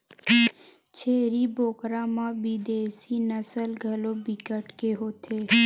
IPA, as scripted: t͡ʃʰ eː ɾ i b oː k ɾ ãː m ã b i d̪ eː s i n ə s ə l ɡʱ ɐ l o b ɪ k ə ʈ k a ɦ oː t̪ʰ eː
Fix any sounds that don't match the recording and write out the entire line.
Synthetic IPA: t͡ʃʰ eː ɾ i b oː k ɾ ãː m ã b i d̪ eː s i n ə s ə l ɡʱ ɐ l o b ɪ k ə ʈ k e ɦ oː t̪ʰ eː